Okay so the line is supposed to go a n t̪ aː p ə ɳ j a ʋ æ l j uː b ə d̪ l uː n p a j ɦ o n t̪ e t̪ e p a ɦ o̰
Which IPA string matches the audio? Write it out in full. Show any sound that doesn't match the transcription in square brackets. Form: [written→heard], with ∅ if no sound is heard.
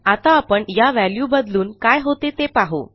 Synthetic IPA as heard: a [n→∅] t̪ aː p ə ɳ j a ʋ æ l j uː b ə d̪ l uː n [p→k] a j ɦ o [n→∅] t̪ e t̪ e p a ɦ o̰